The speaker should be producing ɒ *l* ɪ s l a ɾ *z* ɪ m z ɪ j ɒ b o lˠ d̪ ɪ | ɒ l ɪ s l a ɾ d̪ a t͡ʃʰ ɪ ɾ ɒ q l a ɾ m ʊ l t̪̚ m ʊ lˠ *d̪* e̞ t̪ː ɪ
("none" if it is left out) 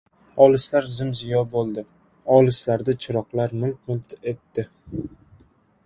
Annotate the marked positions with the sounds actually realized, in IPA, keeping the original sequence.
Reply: l, z, t̪

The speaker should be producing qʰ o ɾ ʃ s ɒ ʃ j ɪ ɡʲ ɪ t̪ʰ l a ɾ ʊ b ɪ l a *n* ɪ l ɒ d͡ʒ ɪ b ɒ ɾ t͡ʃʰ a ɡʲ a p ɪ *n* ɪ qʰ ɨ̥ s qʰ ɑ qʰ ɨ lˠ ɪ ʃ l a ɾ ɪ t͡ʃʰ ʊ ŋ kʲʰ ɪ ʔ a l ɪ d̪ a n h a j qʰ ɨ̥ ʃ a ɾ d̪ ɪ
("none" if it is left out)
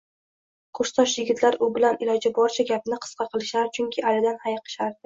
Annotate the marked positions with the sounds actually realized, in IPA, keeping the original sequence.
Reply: n, n

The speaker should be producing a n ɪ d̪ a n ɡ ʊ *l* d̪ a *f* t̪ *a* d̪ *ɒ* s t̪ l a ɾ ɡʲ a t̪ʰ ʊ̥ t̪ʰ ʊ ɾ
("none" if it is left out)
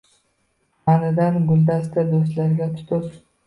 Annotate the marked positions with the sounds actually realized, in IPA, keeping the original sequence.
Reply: l, s, a, o

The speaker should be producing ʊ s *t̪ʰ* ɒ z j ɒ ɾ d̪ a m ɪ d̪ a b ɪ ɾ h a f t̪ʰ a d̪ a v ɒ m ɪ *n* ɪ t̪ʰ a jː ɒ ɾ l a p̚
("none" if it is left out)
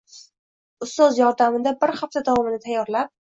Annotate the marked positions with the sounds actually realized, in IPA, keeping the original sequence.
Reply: t̪, n

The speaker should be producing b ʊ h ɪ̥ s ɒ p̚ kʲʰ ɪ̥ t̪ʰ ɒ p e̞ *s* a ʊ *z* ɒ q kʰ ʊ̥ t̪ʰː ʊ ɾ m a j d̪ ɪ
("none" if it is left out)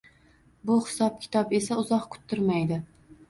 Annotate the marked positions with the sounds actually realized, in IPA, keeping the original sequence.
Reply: s, z

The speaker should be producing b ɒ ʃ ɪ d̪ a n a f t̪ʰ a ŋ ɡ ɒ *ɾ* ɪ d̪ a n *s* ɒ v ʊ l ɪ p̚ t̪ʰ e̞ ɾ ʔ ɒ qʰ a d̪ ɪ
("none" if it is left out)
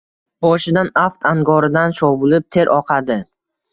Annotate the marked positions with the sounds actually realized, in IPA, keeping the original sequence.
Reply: ɾ, ʃ

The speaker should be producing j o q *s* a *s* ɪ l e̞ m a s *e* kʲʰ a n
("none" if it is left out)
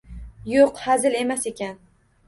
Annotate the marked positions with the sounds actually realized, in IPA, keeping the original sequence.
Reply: h, z, e

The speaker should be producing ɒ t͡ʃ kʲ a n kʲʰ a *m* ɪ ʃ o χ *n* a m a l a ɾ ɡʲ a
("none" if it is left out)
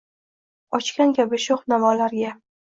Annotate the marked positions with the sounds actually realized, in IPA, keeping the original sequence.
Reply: b, n

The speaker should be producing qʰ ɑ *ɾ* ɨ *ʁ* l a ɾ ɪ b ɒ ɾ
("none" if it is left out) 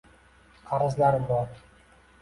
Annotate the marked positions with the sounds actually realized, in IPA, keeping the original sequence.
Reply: ɾ, z

